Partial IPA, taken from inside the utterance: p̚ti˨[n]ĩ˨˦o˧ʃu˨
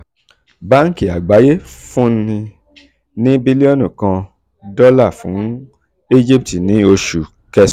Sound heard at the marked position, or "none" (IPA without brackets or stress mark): n